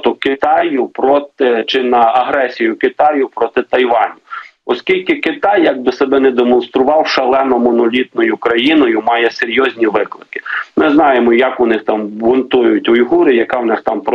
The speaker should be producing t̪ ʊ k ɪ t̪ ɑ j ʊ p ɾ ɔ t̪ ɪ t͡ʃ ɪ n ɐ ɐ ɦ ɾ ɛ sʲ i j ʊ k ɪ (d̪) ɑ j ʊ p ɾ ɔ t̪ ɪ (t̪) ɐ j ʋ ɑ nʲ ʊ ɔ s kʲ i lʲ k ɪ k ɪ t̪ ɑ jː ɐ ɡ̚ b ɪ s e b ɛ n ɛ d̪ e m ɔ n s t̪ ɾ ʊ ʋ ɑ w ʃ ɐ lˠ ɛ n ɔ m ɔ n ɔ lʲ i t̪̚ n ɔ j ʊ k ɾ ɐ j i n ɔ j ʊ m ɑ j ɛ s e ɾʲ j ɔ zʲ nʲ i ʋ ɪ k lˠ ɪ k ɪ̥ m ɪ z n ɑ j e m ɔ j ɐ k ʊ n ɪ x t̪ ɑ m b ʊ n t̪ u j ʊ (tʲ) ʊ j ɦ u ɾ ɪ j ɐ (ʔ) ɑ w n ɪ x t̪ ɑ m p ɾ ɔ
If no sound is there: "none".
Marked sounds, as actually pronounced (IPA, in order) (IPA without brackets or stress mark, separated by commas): t̪, t̪, tʲ, k